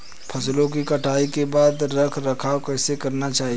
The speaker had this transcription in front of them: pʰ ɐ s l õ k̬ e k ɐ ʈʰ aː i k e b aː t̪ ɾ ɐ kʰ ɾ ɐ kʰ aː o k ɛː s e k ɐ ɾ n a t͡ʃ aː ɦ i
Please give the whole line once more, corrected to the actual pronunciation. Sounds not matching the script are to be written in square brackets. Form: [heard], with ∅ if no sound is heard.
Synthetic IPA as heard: pʰ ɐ s l õ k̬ [i] k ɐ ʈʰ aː i k e b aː [d̪] ɾ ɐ kʰ ɾ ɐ kʰ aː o k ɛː s e k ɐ ɾ n a t͡ʃ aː ɦ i